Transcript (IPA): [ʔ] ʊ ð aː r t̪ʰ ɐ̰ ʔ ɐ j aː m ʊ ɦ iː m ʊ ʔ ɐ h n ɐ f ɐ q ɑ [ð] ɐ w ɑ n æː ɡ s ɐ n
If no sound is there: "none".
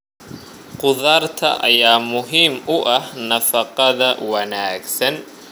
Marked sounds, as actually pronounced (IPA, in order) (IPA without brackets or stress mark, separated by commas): q, ð